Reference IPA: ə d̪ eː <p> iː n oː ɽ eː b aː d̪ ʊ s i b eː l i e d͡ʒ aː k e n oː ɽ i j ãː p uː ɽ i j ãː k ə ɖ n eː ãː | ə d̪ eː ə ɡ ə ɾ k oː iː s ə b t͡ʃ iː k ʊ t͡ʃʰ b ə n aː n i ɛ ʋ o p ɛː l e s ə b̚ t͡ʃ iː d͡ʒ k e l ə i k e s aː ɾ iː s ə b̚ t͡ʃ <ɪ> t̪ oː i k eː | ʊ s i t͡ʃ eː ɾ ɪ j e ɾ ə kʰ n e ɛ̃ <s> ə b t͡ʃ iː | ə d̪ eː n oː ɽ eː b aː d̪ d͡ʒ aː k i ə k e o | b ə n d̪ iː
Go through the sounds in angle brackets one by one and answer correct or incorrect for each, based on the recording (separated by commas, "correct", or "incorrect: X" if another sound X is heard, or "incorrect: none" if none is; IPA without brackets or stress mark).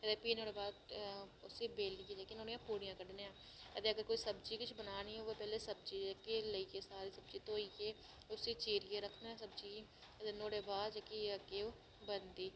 correct, incorrect: i, correct